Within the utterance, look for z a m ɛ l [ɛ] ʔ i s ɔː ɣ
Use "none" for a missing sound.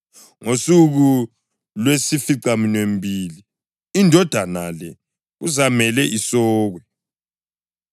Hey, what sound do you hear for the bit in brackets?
ɛ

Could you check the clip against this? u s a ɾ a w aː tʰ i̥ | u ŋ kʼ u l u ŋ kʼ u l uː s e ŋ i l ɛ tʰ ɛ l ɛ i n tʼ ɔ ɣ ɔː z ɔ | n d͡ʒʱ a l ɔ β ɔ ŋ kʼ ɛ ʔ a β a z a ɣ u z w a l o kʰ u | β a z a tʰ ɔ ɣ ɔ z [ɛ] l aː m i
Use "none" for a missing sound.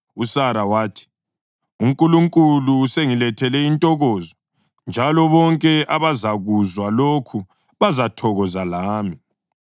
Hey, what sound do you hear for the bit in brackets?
a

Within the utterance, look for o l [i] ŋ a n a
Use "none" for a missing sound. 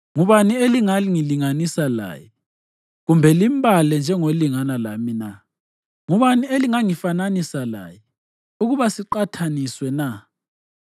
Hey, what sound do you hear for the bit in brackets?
i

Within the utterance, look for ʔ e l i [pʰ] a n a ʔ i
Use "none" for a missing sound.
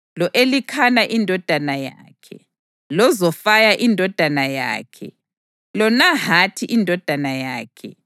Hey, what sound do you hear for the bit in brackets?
kʰ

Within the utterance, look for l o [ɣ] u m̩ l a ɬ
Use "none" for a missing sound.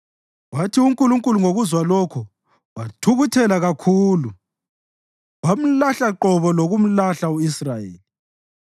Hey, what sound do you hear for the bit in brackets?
ɣ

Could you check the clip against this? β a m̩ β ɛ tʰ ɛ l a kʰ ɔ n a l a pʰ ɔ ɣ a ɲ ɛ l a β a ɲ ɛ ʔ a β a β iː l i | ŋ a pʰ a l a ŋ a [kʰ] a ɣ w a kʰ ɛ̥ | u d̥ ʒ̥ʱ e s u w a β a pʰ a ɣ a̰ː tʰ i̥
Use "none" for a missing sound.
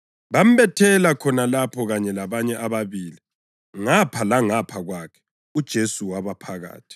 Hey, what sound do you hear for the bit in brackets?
pʰ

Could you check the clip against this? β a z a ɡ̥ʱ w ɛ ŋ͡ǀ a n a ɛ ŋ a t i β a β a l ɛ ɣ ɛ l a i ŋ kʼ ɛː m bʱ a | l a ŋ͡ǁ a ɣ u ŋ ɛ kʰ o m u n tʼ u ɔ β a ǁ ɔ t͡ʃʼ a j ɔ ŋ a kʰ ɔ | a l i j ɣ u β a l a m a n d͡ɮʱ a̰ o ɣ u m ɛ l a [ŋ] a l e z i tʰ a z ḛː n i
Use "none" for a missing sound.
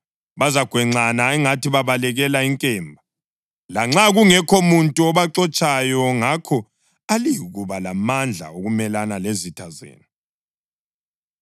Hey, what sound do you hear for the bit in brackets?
n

